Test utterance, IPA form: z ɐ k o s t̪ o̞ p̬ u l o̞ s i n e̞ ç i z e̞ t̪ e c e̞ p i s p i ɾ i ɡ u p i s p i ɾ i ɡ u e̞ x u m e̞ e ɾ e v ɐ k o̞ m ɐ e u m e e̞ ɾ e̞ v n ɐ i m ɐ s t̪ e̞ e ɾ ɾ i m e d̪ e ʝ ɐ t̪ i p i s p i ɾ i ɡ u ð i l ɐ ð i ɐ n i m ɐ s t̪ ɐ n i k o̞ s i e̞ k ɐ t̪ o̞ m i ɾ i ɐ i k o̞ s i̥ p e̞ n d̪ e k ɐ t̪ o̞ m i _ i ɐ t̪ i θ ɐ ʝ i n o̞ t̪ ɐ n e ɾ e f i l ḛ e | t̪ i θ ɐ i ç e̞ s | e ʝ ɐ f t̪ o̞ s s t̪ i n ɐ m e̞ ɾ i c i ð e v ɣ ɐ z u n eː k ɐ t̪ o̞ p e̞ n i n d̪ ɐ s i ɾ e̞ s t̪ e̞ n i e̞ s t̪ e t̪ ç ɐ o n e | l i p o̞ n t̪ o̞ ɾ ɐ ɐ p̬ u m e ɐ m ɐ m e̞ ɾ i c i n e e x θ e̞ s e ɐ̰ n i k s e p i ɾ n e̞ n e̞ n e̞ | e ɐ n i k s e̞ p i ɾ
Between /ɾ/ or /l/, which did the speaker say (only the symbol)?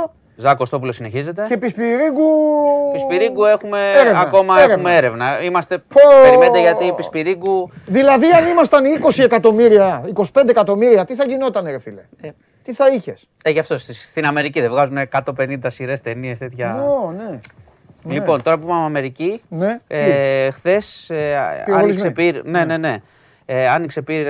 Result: ɾ